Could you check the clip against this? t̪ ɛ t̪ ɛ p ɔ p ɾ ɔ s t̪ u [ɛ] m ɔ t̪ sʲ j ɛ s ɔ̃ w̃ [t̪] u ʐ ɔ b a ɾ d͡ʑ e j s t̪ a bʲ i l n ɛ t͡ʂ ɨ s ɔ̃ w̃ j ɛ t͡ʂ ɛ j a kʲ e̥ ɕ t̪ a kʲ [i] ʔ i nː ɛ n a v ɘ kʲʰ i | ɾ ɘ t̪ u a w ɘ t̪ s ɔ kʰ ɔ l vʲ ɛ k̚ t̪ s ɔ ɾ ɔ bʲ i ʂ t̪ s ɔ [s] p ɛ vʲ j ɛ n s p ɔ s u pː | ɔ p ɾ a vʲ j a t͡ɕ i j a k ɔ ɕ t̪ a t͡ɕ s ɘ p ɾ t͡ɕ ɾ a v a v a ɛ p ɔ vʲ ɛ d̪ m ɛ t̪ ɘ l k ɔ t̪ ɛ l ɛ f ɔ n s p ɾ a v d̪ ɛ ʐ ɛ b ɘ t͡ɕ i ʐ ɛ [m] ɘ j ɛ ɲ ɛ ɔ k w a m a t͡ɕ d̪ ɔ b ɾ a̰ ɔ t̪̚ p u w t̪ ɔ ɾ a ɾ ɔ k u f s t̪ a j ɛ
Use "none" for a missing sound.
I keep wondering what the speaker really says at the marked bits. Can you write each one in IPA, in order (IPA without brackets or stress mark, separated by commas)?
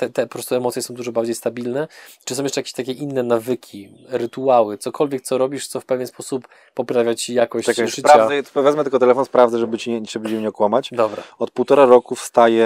ɛ, d̪, ɛ, f, b